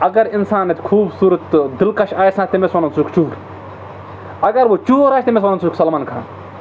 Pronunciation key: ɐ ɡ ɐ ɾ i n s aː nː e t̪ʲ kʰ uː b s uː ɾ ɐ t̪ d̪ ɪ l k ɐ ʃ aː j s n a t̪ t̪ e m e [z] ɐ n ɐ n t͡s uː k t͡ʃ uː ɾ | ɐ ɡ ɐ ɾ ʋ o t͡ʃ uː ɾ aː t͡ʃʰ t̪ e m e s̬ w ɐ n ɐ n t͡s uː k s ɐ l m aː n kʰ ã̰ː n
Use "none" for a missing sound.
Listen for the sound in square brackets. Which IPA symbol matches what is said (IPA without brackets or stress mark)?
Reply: s